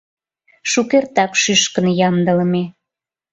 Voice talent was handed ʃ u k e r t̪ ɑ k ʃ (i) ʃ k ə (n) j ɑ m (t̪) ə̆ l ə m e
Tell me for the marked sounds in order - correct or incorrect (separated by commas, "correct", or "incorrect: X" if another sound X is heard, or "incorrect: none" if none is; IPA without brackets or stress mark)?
incorrect: y, correct, incorrect: d̪